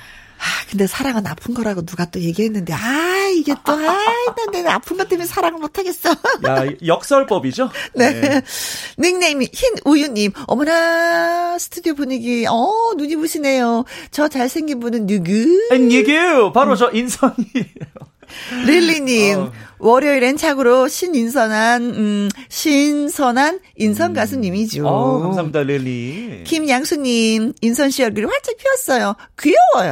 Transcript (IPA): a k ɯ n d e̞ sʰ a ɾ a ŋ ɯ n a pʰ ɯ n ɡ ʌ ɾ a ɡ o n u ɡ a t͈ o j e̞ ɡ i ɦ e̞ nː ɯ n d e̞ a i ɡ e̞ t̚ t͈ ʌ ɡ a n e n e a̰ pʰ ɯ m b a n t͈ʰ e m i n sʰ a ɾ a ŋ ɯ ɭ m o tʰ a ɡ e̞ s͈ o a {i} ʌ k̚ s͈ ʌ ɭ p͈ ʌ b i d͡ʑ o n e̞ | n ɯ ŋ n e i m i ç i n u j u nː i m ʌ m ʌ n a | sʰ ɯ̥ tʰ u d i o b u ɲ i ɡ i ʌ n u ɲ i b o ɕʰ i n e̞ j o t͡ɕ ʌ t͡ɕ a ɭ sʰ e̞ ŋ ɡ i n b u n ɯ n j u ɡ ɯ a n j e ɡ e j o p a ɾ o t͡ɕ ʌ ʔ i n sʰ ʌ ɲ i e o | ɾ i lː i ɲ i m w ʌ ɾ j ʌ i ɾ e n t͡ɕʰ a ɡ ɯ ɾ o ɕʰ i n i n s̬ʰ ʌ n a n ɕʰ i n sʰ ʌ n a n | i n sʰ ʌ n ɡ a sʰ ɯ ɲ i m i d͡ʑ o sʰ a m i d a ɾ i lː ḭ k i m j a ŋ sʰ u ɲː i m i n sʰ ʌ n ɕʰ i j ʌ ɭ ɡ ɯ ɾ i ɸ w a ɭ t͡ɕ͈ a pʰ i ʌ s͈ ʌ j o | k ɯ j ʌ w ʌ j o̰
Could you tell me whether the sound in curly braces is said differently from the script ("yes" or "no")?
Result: yes